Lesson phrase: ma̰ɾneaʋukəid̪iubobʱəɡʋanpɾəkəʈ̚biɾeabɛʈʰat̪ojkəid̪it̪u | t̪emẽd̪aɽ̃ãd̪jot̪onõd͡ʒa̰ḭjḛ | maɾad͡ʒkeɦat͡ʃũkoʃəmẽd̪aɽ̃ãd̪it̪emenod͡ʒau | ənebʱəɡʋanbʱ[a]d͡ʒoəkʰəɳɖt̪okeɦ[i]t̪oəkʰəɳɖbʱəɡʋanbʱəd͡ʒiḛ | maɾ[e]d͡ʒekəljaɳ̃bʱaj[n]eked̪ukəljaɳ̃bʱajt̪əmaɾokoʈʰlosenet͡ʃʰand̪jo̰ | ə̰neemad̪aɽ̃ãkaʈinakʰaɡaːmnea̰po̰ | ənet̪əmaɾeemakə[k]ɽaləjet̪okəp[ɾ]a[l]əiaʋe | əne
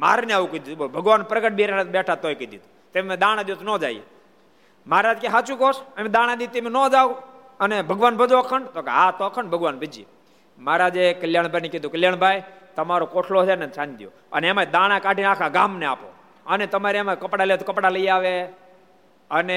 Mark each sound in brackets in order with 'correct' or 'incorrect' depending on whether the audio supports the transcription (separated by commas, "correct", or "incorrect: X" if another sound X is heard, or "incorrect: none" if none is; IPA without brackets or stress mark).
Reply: incorrect: ə, incorrect: a, incorrect: a, correct, incorrect: p, incorrect: ɽ, correct